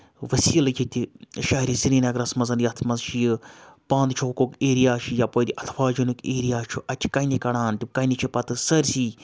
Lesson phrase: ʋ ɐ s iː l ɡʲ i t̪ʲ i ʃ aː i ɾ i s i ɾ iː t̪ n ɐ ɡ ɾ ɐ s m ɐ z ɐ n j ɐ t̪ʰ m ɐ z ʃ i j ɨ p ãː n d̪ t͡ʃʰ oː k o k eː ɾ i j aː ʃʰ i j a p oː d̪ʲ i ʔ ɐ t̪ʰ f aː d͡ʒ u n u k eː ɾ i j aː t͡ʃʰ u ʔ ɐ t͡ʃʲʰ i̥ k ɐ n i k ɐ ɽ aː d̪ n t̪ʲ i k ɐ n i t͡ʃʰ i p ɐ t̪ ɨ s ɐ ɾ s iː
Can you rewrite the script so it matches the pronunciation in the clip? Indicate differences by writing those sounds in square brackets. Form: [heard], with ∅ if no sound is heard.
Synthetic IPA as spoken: ʋ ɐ s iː l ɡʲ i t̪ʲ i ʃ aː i ɾ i s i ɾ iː [∅] n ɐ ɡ ɾ ɐ s m ɐ z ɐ n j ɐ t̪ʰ m ɐ z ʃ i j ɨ p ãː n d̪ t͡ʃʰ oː k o k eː ɾ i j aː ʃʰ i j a p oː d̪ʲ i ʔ ɐ t̪ʰ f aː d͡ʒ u n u k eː ɾ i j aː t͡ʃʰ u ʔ ɐ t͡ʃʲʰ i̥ k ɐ n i k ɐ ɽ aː [∅] n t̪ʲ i k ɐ n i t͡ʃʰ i p ɐ t̪ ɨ s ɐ ɾ s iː